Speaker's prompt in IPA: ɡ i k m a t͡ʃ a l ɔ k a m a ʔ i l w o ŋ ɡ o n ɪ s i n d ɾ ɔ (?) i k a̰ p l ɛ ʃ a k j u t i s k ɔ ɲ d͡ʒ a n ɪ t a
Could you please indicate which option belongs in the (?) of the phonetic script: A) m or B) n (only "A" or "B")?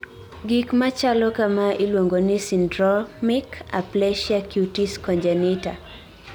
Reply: A